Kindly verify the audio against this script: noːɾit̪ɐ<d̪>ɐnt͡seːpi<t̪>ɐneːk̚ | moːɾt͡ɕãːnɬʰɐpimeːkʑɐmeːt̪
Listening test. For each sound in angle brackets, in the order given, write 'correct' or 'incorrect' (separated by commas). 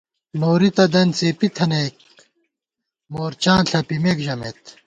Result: correct, incorrect